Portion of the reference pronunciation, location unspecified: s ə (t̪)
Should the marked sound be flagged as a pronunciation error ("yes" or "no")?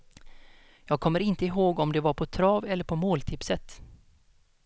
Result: no